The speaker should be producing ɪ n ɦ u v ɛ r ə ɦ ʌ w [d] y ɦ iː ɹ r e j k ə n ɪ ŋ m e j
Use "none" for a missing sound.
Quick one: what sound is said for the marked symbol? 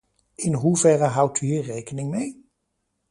t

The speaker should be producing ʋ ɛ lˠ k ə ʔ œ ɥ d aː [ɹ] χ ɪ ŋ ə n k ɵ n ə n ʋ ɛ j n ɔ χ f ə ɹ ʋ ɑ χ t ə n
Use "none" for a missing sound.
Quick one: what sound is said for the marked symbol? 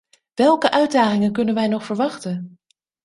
none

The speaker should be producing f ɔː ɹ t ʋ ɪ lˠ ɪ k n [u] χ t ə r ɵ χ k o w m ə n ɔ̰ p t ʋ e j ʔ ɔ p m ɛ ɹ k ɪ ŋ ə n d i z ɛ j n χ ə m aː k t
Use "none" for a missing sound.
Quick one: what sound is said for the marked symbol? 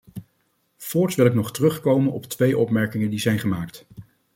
ɔ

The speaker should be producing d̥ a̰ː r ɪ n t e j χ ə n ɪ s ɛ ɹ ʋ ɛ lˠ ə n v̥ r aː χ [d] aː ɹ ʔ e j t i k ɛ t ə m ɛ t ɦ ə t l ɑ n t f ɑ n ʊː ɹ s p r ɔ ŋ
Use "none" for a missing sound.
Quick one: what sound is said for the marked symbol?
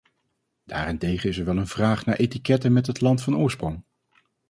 n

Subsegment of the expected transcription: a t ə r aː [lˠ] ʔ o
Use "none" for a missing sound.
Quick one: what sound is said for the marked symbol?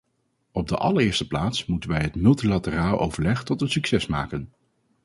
lˠ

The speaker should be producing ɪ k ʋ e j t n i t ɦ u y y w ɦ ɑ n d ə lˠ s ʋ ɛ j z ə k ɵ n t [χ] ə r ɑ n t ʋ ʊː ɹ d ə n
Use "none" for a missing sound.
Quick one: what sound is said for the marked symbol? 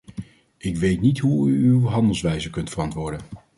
f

